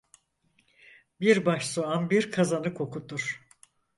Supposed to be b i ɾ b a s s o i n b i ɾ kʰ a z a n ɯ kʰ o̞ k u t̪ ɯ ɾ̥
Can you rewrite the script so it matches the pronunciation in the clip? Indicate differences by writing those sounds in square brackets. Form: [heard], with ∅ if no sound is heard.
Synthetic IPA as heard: b i ɾ b a [ʃ] s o [a] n b i ɾ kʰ a z a n ɯ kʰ o̞ k u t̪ [u] ɾ̥

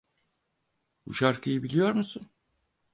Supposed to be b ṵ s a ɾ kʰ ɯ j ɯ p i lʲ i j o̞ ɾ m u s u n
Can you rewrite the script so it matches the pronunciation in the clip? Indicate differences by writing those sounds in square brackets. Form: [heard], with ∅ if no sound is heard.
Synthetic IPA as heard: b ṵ [ʃ] a ɾ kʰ ɯ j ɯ [b] i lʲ i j o̞ ɾ m u s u n

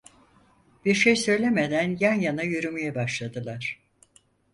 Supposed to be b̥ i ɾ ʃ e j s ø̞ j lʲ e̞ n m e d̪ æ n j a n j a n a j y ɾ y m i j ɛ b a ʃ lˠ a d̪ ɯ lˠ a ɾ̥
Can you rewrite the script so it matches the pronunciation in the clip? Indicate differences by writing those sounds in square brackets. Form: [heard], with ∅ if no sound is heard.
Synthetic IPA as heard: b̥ i ɾ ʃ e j s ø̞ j lʲ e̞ [∅] m e d̪ æ n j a n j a n a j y ɾ y m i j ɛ b a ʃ lˠ a d̪ ɯ lˠ a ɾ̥

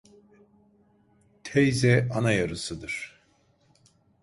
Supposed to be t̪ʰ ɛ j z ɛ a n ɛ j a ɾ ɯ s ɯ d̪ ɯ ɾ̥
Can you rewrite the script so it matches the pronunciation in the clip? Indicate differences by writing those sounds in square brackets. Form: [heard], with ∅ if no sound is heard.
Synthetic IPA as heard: t̪ʰ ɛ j z ɛ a n [a] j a ɾ ɯ s ɯ d̪ ɯ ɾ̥

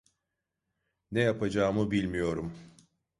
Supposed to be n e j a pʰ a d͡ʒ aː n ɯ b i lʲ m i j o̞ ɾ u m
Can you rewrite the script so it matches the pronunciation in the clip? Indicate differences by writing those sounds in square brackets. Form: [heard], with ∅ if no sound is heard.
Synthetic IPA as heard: n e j a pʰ a d͡ʒ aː [m] ɯ b i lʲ m i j o̞ ɾ u m

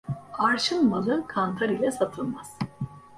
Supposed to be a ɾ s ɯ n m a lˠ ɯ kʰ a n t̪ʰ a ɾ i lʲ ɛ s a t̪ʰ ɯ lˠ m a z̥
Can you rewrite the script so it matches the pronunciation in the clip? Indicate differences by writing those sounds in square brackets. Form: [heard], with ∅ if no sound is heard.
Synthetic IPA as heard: a ɾ [ʃ] ɯ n m a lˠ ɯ kʰ a n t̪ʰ a ɾ i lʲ ɛ s a t̪ʰ ɯ lˠ m a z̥

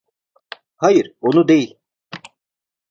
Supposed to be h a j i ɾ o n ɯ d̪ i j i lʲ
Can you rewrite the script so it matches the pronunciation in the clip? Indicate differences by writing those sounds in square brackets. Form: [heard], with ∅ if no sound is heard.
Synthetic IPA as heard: h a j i ɾ o n [u] d̪ [e] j i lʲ

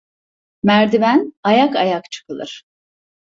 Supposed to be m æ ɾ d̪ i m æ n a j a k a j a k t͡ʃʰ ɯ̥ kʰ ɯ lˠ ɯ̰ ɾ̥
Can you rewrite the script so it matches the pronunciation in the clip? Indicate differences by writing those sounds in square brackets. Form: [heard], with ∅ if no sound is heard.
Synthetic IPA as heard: m æ ɾ d̪ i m æ n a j a k a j a k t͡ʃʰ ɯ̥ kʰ ɯ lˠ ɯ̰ ɾ̥

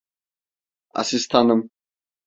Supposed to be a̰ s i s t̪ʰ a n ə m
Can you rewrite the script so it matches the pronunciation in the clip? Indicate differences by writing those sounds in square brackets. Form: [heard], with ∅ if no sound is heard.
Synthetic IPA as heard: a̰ s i s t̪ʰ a n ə m

